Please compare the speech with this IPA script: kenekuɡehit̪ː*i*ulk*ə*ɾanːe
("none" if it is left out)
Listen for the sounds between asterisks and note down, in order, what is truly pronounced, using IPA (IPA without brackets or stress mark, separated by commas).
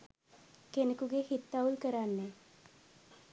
a, ə